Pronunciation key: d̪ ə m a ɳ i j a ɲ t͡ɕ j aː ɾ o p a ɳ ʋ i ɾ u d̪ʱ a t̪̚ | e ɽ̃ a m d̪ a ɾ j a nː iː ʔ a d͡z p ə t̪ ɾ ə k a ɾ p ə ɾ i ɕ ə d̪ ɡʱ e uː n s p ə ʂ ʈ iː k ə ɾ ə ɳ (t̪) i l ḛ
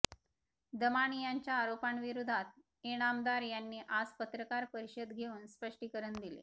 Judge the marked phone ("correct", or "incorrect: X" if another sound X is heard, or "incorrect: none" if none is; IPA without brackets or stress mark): incorrect: d̪